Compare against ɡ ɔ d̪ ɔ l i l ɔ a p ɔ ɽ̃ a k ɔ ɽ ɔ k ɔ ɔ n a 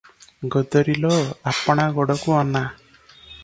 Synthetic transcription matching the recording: ɡ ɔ d̪ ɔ ɾ i l ɔ a p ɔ ɽ̃ a ɡ ɔ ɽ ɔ k u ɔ n a